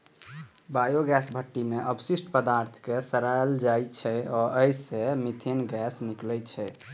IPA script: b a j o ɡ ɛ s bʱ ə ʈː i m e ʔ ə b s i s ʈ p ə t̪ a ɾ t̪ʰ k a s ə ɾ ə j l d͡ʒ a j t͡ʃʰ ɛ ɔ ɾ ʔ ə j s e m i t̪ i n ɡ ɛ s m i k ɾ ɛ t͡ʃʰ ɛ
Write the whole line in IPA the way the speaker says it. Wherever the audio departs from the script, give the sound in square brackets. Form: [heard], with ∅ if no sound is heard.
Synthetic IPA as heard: b a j o ɡ ɛ s bʱ ə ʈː i m e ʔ ə b s i s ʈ p ə [d̪] a ɾ t̪ʰ k [e] s ə ɾ [a] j l d͡ʒ a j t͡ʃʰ ɛ ɔ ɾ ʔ ə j s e m i [t̪ʰ] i n ɡ ɛ s [n] i k [l] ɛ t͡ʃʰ ɛ